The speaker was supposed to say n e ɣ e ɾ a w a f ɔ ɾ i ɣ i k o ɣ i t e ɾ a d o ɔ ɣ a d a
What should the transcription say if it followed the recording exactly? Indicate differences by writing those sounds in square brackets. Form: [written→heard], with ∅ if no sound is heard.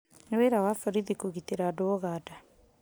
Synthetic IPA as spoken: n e [ɣ→w] e ɾ a w a f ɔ ɾ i [ɣ→ð] i k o ɣ i t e ɾ a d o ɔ ɣ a d a